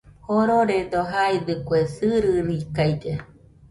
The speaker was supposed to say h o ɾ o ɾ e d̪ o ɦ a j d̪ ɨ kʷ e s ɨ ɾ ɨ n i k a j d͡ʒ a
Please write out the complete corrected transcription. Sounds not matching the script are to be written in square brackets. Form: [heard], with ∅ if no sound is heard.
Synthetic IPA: h o ɾ o ɾ e d̪ o ɦ a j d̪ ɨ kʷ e s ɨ ɾ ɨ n i k a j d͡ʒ [e]